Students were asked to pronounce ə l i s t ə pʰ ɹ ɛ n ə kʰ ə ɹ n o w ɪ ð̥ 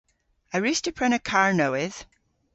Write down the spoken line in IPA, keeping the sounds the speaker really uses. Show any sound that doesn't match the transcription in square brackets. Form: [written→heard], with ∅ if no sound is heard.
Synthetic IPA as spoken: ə [l→ɹ] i s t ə pʰ ɹ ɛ n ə kʰ [ə→a] ɹ n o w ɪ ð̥